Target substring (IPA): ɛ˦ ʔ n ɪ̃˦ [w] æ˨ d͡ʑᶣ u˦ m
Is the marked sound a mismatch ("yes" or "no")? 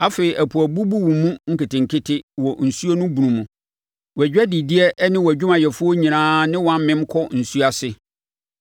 no